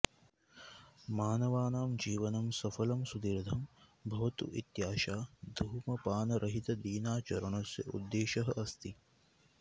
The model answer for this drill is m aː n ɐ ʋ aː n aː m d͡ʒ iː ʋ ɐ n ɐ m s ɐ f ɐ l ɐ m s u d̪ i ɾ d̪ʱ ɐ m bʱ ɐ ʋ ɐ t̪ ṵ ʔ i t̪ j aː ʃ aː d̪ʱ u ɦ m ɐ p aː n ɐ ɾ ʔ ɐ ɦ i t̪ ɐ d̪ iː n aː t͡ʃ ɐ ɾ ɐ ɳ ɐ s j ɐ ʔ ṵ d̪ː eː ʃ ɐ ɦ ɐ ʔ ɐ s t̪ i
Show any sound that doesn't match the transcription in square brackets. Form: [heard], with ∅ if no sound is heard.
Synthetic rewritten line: m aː n ɐ ʋ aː n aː m d͡ʒ iː ʋ ɐ n ɐ m s ɐ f ɐ l ɐ m s u d̪ i ɾ d̪ʱ ɐ m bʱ ɐ ʋ ɐ t̪ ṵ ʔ i t̪ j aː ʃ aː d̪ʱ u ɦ m ɐ p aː n ɐ ɾ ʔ ɐ ɦ i t̪ ɐ d̪ iː n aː t͡ʃ ɐ ɾ ɐ ɳ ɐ s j ɐ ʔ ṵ d̪ː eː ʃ ɐ ɦ ɐ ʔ ɐ s t̪ i

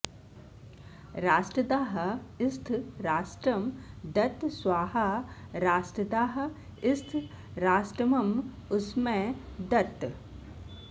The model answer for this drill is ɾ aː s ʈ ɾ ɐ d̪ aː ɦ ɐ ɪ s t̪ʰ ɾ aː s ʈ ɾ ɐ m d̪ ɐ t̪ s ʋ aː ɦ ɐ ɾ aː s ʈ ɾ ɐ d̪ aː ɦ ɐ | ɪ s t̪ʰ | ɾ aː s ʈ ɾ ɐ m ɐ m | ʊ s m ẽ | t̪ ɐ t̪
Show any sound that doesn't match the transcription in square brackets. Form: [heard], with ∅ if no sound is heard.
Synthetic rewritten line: ɾ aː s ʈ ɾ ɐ d̪ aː ɦ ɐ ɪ s t̪ʰ ɾ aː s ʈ ɾ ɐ m d̪ ɐ t̪ s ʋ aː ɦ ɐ ɾ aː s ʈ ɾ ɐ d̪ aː ɦ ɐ | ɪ s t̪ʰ | ɾ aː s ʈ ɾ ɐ m ɐ m | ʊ s m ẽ | [d̪] ɐ t̪

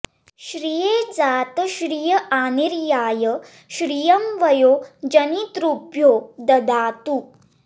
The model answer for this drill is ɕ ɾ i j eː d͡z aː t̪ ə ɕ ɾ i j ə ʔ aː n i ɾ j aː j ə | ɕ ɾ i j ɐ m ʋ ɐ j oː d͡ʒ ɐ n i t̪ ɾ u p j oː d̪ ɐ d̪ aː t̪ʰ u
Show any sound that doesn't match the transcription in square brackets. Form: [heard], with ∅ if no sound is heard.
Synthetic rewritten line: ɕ ɾ i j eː d͡z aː t̪ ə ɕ ɾ i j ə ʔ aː n i ɾ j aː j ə | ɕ ɾ i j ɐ m ʋ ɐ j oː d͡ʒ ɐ n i t̪ ɾ u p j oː d̪ ɐ d̪ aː [t̪] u

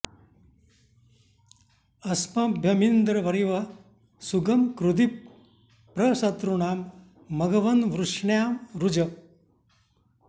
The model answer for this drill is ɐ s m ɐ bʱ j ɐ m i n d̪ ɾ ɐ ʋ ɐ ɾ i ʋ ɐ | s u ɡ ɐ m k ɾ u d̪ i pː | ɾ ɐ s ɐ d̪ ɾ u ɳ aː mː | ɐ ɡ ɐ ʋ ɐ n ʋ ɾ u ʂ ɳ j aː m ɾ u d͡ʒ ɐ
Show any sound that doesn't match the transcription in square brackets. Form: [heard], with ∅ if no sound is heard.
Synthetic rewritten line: ɐ s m ɐ bʱ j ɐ m i n d̪ ɾ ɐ ʋ ɐ ɾ i ʋ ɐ | s u ɡ ɐ m k ɾ u d̪ i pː | ɾ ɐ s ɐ [t̪] ɾ u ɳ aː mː | ɐ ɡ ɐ ʋ ɐ n ʋ ɾ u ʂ ɳ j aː m ɾ u d͡ʒ ɐ

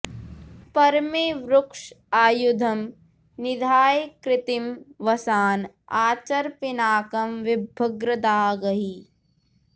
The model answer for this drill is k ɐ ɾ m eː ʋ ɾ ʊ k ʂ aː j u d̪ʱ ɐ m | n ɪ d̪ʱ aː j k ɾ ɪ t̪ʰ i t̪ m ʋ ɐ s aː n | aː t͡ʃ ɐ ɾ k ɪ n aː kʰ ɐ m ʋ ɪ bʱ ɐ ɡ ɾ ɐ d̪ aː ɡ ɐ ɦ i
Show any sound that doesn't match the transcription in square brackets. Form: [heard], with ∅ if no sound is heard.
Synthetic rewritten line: [p] ɐ ɾ m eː ʋ ɾ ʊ k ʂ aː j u d̪ʱ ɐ m | n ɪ d̪ʱ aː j k ɾ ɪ [t̪] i [∅] m ʋ ɐ s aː n | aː t͡ʃ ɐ ɾ [p] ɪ n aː [k] ɐ m ʋ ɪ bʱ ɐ ɡ ɾ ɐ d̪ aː ɡ ɐ ɦ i

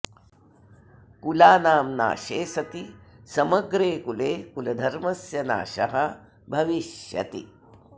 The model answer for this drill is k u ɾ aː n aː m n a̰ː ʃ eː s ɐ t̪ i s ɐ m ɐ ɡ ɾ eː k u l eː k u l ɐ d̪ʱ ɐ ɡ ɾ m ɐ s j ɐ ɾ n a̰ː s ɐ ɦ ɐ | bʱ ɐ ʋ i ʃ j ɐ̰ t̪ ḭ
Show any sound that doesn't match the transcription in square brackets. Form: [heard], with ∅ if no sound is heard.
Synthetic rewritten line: k u [l] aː n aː m n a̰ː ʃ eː s ɐ t̪ i s ɐ m ɐ ɡ ɾ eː k u l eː k u l ɐ d̪ʱ ɐ [∅] ɾ m ɐ s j ɐ [∅] n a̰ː [ʃ] ɐ ɦ ɐ | bʱ ɐ ʋ i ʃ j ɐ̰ t̪ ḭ

